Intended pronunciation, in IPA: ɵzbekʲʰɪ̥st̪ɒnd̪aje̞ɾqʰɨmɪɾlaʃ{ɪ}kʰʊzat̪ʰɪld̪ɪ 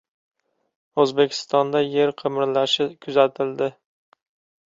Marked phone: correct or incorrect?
correct